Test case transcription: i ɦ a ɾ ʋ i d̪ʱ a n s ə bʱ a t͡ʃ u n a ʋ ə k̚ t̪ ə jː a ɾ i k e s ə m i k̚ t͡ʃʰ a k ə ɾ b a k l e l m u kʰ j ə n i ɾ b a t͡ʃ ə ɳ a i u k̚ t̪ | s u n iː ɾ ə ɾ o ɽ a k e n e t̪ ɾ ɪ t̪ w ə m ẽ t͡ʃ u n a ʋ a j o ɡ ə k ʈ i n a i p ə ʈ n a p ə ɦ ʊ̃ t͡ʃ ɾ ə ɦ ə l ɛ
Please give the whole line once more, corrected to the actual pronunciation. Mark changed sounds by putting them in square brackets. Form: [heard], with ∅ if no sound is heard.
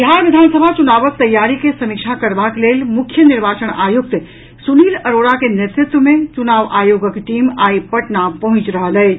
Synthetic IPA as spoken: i ɦ a ɾ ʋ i d̪ʱ a n s ə bʱ a t͡ʃ u n a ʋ ə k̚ t̪ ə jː a ɾ i k e s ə m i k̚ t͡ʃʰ a k ə ɾ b a k l e l m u kʰ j ə n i ɾ b a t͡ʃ ə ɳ a [j] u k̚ t̪ | s u n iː [l] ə ɾ o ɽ a k e n e t̪ ɾ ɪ t̪ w ə m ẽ t͡ʃ u n a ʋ a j o ɡ ə k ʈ i [m] a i p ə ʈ n a p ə ɦ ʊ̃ t͡ʃ ɾ ə ɦ ə l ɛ